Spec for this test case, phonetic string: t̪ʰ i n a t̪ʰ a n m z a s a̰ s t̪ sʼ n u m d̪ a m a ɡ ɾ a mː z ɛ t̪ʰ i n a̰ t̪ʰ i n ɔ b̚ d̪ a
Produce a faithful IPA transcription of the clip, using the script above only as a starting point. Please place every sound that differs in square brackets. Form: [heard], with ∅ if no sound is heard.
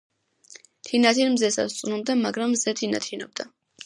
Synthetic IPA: t̪ʰ i n a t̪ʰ [i] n m z [ɛ] s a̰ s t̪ sʼ n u m d̪ a m a ɡ ɾ a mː z ɛ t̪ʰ i n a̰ t̪ʰ i n ɔ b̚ d̪ a